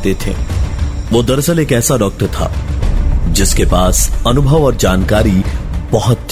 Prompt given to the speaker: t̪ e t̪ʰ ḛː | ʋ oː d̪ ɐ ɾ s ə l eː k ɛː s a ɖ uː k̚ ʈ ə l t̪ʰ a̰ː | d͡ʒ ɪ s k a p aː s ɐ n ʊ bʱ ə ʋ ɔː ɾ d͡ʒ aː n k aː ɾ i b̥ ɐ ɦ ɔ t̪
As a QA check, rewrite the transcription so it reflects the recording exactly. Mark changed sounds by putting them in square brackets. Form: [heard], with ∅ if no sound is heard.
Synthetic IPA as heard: t̪ e t̪ʰ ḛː | ʋ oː d̪ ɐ ɾ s ə l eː k ɛː s a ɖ [ɔː] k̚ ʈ ə [ɾ] t̪ʰ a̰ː | d͡ʒ ɪ s k [e] p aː s ɐ n ʊ bʱ ə ʋ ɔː ɾ d͡ʒ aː n k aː ɾ i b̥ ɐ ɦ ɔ t̪